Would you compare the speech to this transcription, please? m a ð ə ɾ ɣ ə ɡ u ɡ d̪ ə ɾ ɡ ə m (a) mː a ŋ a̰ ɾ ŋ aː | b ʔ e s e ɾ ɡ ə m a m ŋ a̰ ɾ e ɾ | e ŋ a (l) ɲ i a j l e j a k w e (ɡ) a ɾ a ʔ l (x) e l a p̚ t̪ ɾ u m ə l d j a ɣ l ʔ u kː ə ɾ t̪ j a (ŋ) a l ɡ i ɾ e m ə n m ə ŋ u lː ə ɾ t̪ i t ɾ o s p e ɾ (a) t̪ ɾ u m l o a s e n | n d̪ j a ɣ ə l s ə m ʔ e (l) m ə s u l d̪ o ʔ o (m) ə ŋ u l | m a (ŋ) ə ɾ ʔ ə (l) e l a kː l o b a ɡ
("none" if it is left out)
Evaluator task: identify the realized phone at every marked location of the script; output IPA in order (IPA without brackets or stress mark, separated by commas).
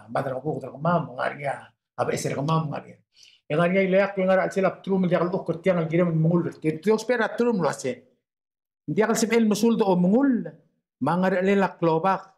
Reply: a, ɾ, ŋ, s, ŋ, a, l, m, ŋ, l